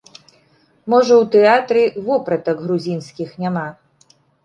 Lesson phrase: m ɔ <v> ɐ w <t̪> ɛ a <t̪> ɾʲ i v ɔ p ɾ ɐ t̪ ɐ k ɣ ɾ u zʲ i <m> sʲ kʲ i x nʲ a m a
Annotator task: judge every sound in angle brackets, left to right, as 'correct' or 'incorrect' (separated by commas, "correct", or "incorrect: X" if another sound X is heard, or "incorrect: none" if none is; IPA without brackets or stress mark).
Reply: incorrect: ʐ, correct, correct, incorrect: n